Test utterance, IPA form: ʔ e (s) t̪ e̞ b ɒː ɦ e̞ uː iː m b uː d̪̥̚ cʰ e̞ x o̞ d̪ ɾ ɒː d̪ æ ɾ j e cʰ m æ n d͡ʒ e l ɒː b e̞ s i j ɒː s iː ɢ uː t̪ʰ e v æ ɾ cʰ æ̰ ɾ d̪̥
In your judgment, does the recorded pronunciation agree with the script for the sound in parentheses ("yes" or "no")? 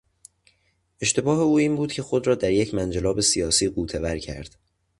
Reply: no